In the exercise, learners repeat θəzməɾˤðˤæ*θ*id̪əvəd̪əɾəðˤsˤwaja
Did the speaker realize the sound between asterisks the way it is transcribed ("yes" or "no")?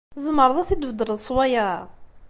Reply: yes